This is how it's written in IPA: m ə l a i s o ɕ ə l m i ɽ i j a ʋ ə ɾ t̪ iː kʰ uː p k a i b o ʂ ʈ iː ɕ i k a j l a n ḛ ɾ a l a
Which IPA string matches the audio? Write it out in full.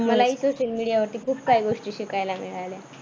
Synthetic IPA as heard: m ə l a i s o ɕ ə l m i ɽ i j a ʋ ə ɾ t̪ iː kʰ uː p k a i ɡ o ʂ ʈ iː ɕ i k a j l a m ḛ ɭ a l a